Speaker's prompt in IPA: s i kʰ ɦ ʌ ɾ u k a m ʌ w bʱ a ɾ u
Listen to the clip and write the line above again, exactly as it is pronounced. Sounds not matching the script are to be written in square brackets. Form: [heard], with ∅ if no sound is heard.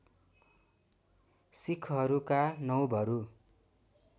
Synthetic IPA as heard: s i kʰ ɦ ʌ ɾ u k a [n] ʌ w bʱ [ʌ] ɾ u